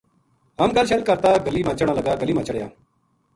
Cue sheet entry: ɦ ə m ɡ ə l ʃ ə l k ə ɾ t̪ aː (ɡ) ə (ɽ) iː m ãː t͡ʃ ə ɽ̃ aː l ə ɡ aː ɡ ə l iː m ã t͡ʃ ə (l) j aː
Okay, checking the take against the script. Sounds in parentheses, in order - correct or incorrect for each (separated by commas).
correct, incorrect, incorrect